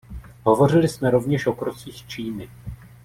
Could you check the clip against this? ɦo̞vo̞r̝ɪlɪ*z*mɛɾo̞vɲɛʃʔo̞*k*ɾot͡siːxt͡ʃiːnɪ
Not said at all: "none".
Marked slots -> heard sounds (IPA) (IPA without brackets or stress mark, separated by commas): s, k